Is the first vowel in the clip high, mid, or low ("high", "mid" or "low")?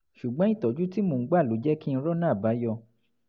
high